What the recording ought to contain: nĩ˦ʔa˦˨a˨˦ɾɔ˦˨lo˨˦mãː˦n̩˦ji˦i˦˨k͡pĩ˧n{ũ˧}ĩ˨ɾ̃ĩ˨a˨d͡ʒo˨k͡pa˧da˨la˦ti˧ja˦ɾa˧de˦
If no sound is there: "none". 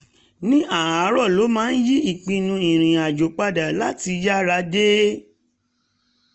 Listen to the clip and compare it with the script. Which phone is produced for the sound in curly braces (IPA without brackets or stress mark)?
ũ˧